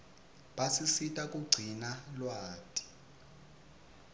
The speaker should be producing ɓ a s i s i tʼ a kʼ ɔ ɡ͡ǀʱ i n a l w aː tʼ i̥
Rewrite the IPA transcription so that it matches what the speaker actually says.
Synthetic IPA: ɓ a s i s i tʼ a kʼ u ɡ͡ǀʱ i n a l w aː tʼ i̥